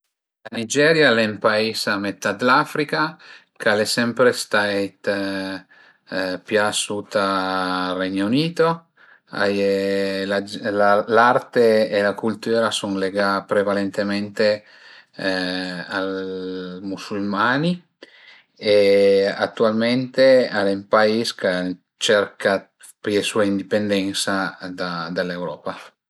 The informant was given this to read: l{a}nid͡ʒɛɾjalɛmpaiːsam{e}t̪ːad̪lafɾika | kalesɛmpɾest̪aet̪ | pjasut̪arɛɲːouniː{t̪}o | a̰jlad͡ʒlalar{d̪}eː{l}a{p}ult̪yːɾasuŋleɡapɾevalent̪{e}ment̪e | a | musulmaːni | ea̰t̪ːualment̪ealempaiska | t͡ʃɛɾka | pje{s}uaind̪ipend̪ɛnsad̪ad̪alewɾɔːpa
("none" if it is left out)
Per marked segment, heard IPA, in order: a, e, t̪, t̪, l, k, e, s

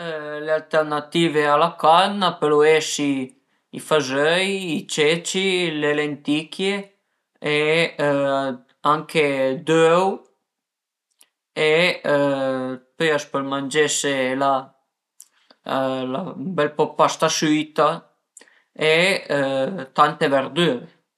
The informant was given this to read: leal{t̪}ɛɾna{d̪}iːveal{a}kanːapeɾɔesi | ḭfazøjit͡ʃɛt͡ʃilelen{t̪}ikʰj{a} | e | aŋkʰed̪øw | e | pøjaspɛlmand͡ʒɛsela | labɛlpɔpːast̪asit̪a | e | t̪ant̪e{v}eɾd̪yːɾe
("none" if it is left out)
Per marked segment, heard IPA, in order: t̪, t̪, a, t̪, e, v

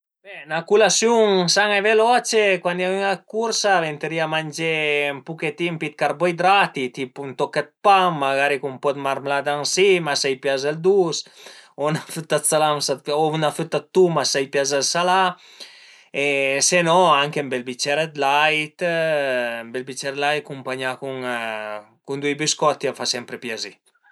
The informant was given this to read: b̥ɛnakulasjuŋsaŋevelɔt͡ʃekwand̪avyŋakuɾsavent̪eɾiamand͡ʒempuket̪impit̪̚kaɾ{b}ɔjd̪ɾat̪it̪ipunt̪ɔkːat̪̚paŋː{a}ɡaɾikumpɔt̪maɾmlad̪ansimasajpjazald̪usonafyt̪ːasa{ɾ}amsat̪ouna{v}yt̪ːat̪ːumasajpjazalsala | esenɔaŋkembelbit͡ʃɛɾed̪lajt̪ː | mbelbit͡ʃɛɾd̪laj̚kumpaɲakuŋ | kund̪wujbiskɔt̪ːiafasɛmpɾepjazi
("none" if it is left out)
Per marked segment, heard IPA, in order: b, a, l, f

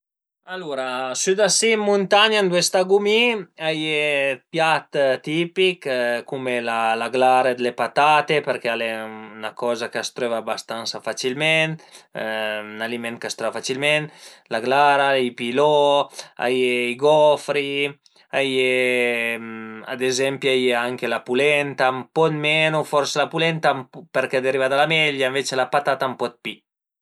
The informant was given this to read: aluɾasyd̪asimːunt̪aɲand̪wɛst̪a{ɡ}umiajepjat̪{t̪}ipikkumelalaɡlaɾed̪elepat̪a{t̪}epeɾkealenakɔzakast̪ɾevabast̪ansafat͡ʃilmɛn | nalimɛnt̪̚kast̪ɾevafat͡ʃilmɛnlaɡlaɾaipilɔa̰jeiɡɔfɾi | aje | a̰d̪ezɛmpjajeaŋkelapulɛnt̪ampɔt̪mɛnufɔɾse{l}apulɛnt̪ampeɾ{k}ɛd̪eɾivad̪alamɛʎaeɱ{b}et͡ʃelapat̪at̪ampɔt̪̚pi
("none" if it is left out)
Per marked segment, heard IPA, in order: ɡ, t̪, t̪, l, k, v

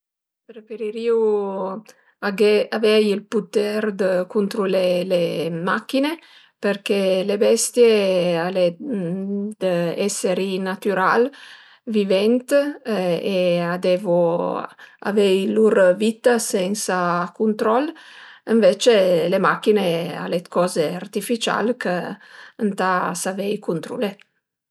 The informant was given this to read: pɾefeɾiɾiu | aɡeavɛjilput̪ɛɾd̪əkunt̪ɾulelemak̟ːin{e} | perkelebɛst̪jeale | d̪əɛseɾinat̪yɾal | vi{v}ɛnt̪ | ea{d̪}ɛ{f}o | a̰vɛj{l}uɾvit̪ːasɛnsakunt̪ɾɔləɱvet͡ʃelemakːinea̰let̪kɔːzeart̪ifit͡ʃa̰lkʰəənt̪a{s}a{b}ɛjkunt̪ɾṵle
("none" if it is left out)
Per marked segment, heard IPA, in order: e, v, d̪, v, l, s, v

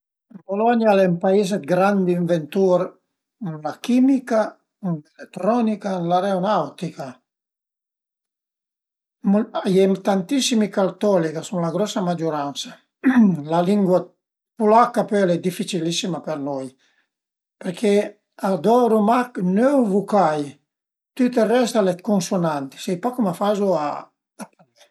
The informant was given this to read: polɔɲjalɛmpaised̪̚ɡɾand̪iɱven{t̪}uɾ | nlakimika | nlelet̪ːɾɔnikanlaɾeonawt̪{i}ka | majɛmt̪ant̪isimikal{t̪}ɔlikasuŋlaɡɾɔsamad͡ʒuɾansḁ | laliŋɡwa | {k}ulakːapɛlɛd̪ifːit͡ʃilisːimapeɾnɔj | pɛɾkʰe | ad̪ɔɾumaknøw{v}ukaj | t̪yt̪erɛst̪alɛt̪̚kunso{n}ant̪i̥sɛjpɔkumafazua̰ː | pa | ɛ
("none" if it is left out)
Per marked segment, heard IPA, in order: t̪, i, t̪, p, v, n

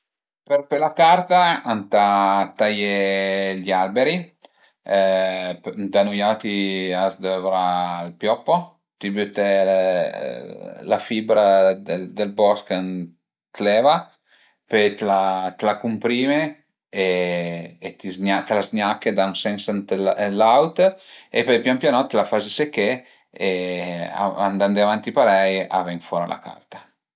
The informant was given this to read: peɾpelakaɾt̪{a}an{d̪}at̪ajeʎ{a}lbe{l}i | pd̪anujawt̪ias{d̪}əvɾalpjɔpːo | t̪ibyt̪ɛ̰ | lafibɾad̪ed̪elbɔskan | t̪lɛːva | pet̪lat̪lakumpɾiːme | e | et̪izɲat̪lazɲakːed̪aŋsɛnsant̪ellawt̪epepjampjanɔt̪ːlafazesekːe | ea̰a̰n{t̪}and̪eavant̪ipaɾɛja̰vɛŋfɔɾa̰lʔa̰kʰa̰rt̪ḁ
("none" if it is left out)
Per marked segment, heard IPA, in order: a, t̪, a, ɾ, d̪, d̪

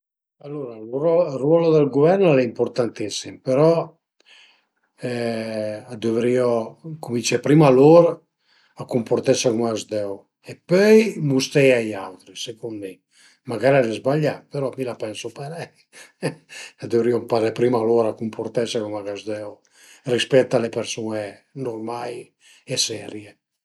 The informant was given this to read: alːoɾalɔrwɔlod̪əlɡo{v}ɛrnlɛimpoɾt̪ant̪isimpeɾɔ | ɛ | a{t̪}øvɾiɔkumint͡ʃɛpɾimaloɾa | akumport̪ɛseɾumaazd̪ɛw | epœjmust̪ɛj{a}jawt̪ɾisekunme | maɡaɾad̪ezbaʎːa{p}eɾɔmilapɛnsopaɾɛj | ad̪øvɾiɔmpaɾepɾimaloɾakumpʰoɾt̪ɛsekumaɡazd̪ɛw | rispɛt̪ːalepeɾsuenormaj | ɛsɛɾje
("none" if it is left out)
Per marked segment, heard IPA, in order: v, d̪, a, p

